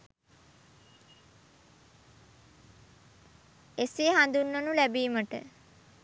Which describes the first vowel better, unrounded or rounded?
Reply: unrounded